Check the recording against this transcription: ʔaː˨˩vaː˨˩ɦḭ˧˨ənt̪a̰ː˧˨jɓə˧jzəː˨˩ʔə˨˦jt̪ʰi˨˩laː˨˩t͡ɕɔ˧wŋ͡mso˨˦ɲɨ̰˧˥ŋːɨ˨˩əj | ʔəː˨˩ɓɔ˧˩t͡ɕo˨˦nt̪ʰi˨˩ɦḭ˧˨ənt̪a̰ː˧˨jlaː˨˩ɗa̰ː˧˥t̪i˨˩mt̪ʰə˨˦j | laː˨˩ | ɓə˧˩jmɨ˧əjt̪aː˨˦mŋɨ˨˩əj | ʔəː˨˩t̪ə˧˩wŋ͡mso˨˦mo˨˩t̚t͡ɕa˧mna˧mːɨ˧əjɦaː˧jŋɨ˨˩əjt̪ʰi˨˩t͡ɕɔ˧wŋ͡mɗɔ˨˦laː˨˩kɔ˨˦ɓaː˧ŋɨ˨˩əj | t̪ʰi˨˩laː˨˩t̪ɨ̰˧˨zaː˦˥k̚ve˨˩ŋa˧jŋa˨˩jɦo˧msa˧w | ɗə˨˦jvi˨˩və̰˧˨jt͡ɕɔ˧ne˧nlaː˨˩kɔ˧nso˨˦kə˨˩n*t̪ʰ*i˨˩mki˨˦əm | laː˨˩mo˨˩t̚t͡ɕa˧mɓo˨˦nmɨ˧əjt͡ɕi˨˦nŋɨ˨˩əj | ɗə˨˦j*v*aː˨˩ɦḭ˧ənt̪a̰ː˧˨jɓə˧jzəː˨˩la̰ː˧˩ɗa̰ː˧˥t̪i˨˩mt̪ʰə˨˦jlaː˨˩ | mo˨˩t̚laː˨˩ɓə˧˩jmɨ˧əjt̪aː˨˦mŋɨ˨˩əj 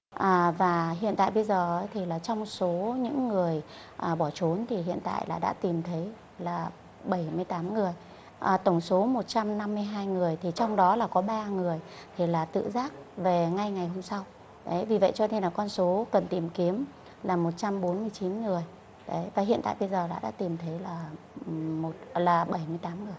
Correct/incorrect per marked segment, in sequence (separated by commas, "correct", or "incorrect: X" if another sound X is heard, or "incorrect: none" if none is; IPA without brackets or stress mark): incorrect: t̪, correct